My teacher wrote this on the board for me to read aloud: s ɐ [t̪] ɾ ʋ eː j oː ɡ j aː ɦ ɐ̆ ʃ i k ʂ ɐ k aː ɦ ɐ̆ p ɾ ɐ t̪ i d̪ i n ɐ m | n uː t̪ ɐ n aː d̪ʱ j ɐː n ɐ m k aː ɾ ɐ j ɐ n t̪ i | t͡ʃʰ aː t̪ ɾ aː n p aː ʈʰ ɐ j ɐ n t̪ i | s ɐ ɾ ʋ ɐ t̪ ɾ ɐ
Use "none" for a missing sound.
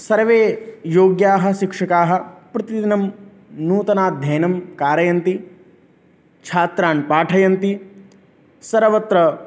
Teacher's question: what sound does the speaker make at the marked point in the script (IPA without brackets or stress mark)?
none